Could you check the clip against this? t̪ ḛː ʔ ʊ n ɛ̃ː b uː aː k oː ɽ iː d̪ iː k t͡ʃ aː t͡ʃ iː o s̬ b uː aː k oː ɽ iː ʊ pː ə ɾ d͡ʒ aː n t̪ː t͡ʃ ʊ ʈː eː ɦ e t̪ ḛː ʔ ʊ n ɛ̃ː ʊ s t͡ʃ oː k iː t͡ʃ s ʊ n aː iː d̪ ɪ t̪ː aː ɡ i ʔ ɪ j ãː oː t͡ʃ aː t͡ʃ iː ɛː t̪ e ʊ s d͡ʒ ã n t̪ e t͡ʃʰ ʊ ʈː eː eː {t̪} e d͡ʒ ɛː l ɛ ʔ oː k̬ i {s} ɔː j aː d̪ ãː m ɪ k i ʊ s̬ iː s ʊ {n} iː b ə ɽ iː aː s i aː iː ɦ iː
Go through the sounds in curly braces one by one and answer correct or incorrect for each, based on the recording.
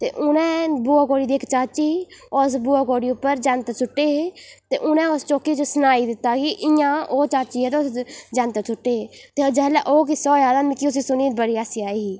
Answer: correct, correct, correct

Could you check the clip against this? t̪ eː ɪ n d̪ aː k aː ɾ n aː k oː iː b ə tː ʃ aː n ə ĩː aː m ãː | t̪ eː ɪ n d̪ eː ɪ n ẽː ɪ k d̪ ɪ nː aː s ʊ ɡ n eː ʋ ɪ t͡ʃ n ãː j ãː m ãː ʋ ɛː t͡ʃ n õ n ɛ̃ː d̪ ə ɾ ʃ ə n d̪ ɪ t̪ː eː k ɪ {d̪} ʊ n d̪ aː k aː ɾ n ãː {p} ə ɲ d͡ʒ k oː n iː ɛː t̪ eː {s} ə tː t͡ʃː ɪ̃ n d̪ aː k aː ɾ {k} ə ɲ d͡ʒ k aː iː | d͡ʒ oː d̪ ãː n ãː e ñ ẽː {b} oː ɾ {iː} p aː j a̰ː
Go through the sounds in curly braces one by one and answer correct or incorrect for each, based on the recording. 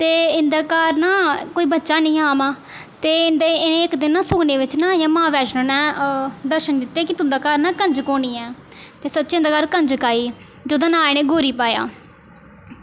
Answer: incorrect, incorrect, correct, correct, incorrect, correct

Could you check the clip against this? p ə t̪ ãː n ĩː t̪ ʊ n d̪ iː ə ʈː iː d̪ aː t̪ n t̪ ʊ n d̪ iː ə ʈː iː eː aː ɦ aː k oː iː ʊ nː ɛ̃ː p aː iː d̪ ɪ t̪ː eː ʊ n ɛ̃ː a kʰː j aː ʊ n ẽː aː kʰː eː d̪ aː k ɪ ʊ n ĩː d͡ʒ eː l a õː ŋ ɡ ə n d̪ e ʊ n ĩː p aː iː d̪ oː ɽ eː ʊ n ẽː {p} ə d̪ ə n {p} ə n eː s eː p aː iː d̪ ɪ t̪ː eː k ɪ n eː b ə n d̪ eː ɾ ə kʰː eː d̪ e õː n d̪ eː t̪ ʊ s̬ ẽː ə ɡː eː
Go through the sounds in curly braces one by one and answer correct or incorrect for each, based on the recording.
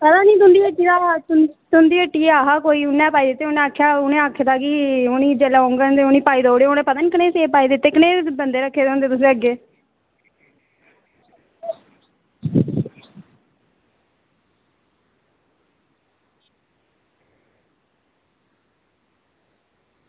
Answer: correct, incorrect

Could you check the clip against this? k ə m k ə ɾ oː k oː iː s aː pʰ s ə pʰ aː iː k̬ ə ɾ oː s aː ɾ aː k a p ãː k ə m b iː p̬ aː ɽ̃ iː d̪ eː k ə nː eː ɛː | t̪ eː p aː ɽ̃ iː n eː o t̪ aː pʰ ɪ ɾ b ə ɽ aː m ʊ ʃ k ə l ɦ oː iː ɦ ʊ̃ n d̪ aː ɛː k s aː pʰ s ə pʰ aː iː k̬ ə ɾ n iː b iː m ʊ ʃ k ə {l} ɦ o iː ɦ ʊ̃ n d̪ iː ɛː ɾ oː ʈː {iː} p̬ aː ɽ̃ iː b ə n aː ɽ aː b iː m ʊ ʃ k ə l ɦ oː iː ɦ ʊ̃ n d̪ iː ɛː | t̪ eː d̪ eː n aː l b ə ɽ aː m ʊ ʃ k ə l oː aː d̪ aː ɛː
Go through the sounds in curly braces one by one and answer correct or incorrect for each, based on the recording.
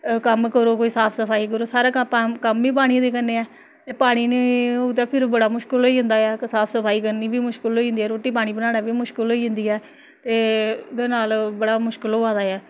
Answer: correct, correct

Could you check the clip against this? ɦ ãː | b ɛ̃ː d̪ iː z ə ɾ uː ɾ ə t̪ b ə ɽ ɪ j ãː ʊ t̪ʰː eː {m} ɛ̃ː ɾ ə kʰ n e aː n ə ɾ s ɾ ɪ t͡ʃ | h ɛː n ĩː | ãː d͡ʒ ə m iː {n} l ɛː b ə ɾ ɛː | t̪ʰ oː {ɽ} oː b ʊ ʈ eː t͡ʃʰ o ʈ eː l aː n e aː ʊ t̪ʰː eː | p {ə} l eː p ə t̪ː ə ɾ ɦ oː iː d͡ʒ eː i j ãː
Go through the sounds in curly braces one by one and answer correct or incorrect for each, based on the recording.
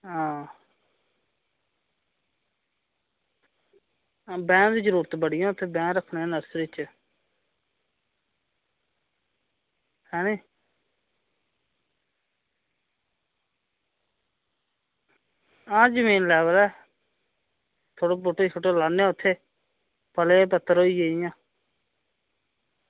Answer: incorrect, correct, correct, correct

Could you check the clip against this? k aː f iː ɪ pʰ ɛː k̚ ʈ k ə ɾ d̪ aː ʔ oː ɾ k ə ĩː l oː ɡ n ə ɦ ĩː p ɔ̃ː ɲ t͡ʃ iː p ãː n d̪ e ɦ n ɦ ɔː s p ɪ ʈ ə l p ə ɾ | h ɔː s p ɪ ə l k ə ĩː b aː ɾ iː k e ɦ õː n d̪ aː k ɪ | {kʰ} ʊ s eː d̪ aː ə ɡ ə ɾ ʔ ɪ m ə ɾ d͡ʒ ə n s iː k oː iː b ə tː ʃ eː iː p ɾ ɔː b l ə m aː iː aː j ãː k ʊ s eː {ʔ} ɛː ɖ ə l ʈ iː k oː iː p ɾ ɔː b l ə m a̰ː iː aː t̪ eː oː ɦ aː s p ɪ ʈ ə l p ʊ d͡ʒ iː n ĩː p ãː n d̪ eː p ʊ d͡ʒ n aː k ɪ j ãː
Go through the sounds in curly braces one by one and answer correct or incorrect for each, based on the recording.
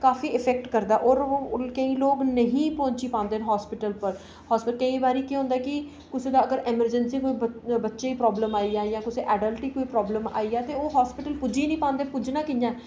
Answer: incorrect, correct

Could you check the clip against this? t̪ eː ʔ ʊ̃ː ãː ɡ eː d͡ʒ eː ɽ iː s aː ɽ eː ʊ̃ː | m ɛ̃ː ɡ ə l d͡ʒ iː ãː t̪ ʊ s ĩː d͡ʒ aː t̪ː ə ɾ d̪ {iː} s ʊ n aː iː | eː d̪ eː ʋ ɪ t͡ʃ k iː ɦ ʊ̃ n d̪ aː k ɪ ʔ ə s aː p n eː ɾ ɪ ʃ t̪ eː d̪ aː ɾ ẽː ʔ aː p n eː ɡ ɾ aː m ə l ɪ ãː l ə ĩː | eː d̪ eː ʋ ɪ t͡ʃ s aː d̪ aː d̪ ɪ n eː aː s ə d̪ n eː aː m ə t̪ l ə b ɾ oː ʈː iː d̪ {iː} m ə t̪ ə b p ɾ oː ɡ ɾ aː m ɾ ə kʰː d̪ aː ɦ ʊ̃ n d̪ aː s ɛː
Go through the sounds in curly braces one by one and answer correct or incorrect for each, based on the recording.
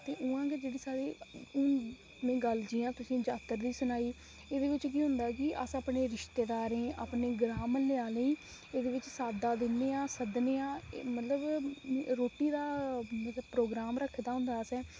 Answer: correct, incorrect

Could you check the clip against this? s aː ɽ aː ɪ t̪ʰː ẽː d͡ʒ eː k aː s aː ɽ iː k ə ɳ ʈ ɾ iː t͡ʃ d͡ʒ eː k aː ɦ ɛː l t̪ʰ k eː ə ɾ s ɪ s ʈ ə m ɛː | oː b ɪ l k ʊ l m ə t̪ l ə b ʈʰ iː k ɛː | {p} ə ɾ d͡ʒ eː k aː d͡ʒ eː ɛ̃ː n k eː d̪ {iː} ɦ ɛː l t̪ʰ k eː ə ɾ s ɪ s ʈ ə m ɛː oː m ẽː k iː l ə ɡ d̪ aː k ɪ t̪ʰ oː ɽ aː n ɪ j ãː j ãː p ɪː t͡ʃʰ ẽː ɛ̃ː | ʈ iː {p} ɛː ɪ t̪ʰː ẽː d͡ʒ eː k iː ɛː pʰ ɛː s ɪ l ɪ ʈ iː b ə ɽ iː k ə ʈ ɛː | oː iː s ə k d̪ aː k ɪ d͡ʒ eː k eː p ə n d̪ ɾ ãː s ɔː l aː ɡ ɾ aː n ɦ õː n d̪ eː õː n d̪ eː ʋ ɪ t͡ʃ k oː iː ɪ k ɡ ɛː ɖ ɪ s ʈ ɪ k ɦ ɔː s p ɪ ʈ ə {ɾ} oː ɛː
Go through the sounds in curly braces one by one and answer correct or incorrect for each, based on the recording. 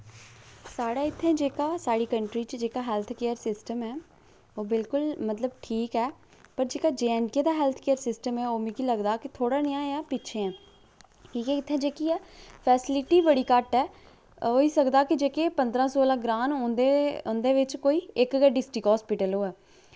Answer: correct, incorrect, incorrect, incorrect

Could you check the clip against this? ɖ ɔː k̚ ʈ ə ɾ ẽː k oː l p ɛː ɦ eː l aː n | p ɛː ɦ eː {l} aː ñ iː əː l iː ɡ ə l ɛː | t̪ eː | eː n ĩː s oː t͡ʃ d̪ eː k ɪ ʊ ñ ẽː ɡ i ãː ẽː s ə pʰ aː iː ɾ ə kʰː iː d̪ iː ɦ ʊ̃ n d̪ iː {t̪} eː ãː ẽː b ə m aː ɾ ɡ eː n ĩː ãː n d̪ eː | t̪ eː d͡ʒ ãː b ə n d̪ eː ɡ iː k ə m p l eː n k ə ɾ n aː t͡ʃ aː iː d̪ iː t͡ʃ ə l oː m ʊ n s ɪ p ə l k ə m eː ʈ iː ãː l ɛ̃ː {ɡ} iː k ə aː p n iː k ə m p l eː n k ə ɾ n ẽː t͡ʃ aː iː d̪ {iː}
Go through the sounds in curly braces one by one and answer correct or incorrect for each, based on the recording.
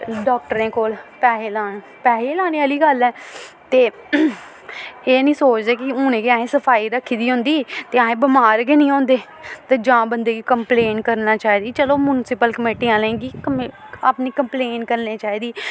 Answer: correct, correct, correct, correct

